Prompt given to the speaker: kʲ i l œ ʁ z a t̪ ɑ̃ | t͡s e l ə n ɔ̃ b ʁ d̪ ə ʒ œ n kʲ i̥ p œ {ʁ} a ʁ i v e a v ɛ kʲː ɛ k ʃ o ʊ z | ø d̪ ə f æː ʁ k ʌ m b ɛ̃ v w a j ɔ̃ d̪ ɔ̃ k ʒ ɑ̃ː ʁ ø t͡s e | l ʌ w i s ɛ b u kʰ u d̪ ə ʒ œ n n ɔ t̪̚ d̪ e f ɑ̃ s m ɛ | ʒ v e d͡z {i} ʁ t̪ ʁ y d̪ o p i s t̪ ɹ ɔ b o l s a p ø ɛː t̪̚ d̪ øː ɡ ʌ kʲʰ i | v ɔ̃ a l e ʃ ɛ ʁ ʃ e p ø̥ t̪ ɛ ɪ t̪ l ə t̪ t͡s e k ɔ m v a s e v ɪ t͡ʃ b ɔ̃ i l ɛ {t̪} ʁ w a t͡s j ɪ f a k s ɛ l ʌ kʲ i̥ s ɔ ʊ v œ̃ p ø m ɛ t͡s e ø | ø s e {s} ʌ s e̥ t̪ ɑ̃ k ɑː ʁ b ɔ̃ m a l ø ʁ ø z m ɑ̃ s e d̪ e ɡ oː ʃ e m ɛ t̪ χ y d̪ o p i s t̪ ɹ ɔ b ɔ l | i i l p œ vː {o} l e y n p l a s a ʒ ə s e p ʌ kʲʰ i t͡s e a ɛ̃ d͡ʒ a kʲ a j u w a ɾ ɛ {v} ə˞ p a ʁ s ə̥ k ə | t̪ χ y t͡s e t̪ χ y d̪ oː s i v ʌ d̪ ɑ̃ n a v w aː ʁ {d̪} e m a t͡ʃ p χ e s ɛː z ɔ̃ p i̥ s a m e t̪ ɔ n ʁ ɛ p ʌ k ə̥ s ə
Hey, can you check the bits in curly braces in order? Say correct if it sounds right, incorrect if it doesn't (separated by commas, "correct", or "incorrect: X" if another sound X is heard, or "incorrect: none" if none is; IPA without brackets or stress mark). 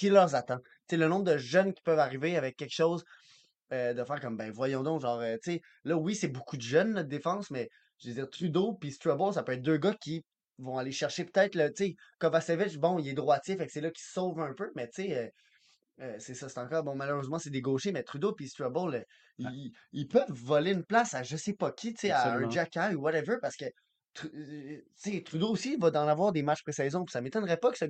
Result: incorrect: v, incorrect: iː, incorrect: d̪, correct, incorrect: ɔ, correct, correct